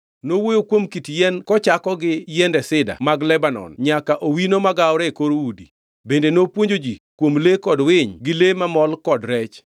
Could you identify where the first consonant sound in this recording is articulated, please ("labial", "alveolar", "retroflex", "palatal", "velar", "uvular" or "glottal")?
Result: alveolar